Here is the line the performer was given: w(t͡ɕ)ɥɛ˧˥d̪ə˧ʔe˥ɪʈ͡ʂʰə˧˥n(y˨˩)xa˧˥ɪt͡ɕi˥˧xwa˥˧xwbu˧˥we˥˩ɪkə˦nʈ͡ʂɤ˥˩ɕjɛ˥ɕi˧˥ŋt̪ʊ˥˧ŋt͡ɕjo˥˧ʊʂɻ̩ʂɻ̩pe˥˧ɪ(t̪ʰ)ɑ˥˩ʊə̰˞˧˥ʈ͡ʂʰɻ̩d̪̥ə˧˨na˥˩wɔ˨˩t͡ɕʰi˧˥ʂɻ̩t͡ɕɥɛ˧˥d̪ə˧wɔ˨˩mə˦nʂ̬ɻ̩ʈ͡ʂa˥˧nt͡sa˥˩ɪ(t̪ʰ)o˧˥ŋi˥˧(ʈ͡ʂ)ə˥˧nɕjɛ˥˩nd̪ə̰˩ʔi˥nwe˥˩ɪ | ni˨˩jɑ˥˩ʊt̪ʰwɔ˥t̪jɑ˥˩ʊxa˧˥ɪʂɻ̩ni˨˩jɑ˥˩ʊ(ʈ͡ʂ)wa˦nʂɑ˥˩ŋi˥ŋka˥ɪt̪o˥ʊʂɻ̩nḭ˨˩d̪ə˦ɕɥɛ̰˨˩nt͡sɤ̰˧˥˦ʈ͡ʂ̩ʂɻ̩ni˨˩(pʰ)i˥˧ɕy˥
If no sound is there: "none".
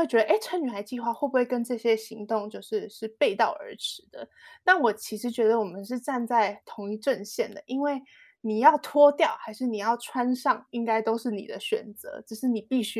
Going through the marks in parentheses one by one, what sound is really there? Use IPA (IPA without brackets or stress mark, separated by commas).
t͡ɕ, y˨˩, t̪, t̪ʰ, ʈ͡ʂ, ʈ͡ʂʰ, p